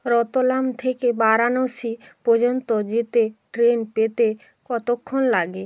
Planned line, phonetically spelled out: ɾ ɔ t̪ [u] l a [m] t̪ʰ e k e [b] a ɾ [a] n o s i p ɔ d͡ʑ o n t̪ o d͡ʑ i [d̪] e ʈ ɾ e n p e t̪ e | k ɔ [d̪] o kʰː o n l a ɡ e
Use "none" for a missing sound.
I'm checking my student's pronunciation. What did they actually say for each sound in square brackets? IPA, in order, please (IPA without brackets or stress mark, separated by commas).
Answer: o, m, b, a, t̪, t̪